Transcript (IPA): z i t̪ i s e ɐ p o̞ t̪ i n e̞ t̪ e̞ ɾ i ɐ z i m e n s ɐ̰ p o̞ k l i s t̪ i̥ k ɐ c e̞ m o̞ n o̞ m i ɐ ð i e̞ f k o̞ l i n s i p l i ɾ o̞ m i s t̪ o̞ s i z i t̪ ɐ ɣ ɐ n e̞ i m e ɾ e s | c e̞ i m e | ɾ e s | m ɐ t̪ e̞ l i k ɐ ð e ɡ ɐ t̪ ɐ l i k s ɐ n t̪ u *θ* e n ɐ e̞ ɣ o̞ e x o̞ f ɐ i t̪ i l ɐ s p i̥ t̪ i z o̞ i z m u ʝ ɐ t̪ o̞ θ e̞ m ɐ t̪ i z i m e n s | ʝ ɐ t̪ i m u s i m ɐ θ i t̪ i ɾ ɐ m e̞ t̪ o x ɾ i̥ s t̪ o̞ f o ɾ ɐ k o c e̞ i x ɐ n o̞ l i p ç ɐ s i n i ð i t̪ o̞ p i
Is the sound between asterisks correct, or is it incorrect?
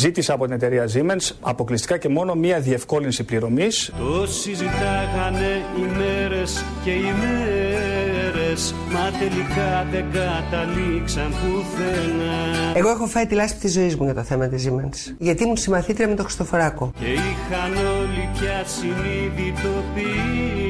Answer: correct